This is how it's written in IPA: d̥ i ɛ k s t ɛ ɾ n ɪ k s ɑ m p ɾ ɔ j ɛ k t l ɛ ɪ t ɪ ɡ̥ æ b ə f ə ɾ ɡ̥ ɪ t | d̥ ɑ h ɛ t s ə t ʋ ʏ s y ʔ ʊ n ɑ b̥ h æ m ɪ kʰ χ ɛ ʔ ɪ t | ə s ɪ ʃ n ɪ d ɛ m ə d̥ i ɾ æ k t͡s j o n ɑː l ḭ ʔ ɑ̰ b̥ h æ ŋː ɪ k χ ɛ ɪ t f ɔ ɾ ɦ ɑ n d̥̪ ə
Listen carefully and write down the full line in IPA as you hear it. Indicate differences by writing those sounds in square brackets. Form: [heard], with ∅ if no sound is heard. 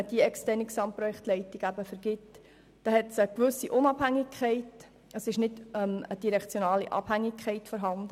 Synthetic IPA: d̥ i ɛ k s t ɛ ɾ n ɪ k s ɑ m p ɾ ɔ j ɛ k t l ɛ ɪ t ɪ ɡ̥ æ b ə f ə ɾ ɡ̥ ɪ t | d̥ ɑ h ɛ t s ə [k] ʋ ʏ s [i] ʔ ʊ n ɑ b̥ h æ [ŋ] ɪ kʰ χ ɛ [∅] ɪ t | ə s ɪ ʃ n ɪ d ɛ m ə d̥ i ɾ [ɛ] k t͡s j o n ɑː l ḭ ʔ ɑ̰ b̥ h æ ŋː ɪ k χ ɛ ɪ t f ɔ ɾ ɦ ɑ n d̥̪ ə

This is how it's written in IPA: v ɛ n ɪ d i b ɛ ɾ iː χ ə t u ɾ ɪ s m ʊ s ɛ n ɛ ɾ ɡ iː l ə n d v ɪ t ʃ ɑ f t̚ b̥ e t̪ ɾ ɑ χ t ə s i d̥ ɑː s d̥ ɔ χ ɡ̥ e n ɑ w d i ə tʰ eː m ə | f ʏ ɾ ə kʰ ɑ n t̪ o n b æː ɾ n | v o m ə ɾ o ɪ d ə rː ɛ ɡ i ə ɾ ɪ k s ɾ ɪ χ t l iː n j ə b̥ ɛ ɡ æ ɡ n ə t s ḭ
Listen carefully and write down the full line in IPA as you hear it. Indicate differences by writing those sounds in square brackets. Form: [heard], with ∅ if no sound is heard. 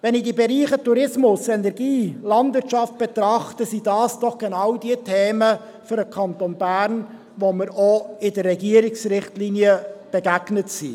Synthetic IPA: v ɛ n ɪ d i b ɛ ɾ iː χ ə t u ɾ ɪ s m ʊ s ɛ n ɛ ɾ ɡ iː l [ɑ] n d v ɪ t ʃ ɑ f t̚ b̥ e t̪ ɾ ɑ χ t ə s i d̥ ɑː s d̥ ɔ χ ɡ̥ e n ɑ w d i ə tʰ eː m ə | f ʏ ɾ ə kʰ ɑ n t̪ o n b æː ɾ n | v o m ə ɾ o ɪ d ə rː ɛ ɡ i ə ɾ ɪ k s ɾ ɪ χ t l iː n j ə b̥ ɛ ɡ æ ɡ n ə t s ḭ

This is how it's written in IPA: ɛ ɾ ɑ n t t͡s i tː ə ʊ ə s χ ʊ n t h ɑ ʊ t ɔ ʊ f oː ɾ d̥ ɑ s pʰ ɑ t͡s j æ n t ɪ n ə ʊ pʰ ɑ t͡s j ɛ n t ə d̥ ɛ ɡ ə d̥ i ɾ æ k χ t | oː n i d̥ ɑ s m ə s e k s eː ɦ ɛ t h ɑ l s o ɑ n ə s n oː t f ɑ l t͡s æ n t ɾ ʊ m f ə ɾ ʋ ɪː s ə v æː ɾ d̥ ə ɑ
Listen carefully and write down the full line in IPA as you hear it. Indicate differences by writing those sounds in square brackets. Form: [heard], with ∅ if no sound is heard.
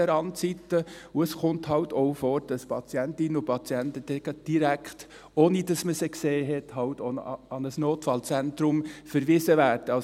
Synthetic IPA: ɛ ɾ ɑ n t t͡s i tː ə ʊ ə s χ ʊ n t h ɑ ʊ t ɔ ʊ f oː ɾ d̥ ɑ s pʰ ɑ t͡s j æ n t ɪ n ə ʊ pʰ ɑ t͡s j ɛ n t ə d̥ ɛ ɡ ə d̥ i ɾ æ k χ t | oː n i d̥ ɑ s m ə s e k s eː ɦ ɛ t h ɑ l [t] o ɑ n ə s n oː t f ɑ l t͡s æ n t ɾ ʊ m f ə ɾ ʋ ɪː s ə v æː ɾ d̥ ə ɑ

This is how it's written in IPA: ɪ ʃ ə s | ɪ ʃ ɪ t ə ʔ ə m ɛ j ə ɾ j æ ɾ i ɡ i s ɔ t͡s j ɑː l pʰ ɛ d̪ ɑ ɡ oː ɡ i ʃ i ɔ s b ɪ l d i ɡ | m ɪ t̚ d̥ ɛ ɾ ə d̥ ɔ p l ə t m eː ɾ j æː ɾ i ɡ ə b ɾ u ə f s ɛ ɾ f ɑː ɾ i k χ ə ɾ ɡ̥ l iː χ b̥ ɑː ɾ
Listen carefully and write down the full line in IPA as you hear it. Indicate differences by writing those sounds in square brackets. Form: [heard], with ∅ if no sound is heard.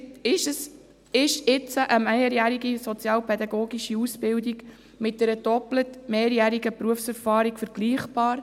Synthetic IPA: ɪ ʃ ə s | ɪ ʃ ɪ [t͡s] ə ʔ ə m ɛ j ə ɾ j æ ɾ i ɡ i s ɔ t͡s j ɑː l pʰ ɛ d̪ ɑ ɡ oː ɡ i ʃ i [u] s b ɪ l d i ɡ | m ɪ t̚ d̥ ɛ ɾ ə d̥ ɔ p l ə t m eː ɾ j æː ɾ i ɡ ə [p] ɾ u ə f s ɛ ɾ f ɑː ɾ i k [f] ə ɾ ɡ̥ l iː χ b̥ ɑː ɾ

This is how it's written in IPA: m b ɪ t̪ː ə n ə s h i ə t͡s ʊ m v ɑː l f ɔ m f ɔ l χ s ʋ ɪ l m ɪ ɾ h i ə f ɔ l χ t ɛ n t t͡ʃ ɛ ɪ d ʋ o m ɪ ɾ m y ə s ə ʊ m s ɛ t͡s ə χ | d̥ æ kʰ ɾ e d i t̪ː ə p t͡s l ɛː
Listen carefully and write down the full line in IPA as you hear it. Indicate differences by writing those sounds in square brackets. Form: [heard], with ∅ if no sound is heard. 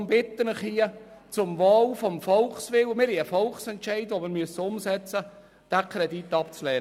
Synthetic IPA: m b ɪ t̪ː ə n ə [χ] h i ə t͡s ʊ m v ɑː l f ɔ m f ɔ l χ s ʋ ɪ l m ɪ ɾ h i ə f ɔ l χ [s] ɛ n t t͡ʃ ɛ ɪ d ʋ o m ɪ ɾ m y ə s ə ʊ m s ɛ t͡s ə [∅] | d̥ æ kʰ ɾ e d i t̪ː [ɑ] p t͡s l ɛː

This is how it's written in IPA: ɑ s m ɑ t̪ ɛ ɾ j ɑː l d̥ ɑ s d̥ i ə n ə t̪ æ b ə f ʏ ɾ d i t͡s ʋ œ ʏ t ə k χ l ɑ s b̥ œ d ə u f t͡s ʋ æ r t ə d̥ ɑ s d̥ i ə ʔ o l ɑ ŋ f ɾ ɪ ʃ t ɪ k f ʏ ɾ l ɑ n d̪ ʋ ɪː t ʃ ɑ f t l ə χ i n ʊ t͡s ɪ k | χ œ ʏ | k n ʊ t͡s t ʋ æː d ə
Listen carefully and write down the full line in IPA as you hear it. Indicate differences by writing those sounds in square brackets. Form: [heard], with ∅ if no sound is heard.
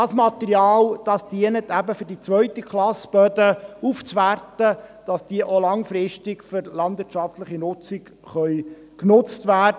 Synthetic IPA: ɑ s m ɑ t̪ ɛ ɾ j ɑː l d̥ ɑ s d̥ i ə n ə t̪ æ b ə f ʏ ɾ d i t͡s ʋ œ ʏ t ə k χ l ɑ s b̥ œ d ə u f t͡s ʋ æ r t ə d̥ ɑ s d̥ i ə ʔ o l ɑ ŋ f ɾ ɪ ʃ t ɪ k f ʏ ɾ l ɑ n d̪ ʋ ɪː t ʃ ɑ f t l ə χ i n ʊ t͡s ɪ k | χ œ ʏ | k n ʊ t͡s t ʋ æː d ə

